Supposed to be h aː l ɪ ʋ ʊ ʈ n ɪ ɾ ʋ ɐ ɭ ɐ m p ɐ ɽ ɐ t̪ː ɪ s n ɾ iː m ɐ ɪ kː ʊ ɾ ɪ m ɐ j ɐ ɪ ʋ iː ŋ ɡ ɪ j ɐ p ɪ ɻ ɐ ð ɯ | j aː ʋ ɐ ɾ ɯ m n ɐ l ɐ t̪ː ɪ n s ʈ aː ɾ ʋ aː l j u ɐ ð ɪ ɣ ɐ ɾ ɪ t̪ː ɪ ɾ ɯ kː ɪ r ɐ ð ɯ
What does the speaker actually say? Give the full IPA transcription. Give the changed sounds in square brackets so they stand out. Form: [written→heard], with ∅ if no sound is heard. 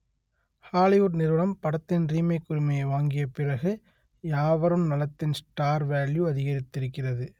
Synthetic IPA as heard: h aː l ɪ ʋ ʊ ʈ n ɪ ɾ ʋ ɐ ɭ ɐ m p ɐ ɽ ɐ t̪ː ɪ [s→∅] n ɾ iː m ɐ ɪ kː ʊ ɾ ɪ m ɐ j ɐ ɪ ʋ [iː→aː] ŋ ɡ ɪ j ɐ p ɪ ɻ ɐ [ð→ɣ] ɯ | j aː ʋ ɐ ɾ ɯ m n ɐ l ɐ t̪ː ɪ n s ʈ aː ɾ ʋ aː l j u ɐ ð ɪ ɣ ɐ ɾ ɪ t̪ː ɪ ɾ ɯ kː ɪ r ɐ ð ɯ

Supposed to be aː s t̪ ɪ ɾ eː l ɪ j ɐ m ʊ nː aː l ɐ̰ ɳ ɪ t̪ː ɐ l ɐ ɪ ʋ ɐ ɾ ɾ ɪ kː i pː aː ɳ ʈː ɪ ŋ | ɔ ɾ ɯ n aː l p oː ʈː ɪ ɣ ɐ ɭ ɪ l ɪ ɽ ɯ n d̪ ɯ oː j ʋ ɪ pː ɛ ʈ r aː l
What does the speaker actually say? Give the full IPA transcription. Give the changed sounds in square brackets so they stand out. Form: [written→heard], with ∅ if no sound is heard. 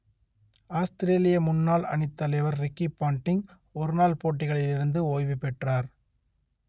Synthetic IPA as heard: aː s t̪ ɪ ɾ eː l ɪ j ɐ m ʊ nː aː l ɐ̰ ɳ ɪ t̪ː ɐ l ɐ ɪ ʋ ɐ ɾ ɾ ɪ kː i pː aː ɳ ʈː ɪ ŋ | ɔ ɾ ɯ n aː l p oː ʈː ɪ ɣ ɐ ɭ ɪ l ɪ [ɽ→ɾ] ɯ n d̪ ɯ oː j ʋ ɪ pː ɛ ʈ r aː [l→ɾ]

